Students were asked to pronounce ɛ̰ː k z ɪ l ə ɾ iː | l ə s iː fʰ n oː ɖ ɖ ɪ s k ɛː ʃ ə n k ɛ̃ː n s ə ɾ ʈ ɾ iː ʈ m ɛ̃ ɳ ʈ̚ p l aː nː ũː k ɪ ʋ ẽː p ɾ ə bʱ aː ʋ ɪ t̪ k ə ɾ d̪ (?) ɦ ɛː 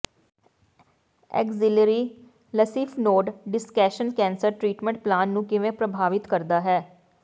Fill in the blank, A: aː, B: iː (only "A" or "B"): A